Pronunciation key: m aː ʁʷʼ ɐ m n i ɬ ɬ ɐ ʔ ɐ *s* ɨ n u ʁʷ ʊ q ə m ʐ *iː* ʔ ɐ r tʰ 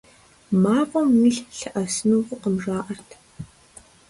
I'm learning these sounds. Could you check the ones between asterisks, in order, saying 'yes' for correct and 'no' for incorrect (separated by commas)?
yes, no